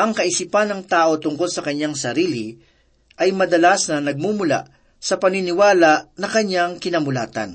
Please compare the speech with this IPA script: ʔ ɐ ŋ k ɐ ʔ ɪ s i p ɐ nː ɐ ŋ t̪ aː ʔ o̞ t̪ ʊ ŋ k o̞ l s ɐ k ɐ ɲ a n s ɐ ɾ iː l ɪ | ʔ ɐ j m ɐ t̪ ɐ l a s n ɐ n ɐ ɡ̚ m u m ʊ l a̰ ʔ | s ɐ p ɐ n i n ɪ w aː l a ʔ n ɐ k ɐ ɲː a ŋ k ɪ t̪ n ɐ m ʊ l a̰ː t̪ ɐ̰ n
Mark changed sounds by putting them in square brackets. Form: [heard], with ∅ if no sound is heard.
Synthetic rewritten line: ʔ ɐ ŋ k ɐ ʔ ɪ s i p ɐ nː ɐ ŋ t̪ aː ʔ o̞ t̪ ʊ ŋ k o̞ l s ɐ k ɐ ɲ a [ŋ] s ɐ ɾ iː l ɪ | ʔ ɐ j m ɐ [d̪] ɐ l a s n ɐ n ɐ ɡ̚ m u m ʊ l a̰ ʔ | s ɐ p ɐ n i n ɪ w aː l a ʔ n ɐ k ɐ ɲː a ŋ k ɪ [∅] n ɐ m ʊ l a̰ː t̪ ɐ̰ n